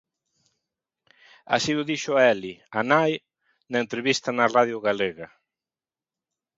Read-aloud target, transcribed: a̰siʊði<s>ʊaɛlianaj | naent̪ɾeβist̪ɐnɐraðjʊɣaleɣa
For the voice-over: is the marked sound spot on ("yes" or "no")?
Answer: no